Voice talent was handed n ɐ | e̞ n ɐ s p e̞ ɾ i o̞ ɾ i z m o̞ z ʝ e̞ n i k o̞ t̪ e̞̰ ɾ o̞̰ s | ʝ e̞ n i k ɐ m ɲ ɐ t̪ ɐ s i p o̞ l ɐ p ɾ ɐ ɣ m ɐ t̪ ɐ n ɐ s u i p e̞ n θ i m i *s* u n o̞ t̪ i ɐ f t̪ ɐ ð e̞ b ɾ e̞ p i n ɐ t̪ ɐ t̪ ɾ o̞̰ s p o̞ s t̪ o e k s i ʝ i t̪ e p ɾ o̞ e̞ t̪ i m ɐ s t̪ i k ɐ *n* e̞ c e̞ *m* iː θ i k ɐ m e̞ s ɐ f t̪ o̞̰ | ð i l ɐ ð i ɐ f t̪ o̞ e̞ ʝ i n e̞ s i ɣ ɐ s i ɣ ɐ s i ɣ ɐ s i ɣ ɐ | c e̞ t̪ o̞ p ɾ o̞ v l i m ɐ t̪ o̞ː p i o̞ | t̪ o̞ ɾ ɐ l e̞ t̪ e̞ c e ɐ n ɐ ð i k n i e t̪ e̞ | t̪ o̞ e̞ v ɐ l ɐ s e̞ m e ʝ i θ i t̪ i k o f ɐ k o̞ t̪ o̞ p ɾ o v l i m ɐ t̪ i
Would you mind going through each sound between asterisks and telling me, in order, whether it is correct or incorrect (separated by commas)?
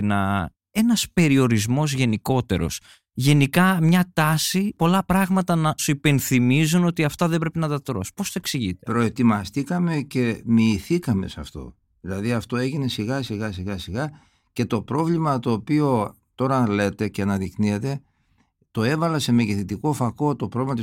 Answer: incorrect, incorrect, correct